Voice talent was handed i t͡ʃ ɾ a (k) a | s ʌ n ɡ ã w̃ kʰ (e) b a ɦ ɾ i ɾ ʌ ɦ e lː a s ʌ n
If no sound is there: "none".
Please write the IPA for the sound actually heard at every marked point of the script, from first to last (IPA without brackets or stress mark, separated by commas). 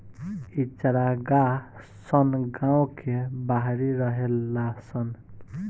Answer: ɡ, e